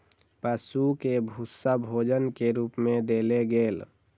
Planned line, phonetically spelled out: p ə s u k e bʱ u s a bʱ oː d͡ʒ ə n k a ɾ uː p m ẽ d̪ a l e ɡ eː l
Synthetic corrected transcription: p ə s u k e bʱ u s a bʱ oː d͡ʒ ə n k e ɾ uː p m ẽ d̪ e l e ɡ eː l